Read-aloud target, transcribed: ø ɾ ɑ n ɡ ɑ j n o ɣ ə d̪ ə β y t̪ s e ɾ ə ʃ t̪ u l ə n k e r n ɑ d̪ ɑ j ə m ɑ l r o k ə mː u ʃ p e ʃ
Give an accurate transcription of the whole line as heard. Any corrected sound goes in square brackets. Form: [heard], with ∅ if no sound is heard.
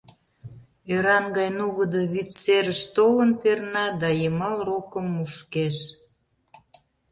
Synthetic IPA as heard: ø ɾ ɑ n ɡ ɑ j n [u] ɣ ə d̪ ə β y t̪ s e ɾ ə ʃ t̪ [o] l ə n [p] e r n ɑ d̪ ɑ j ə m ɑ l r o k ə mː u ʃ [k] e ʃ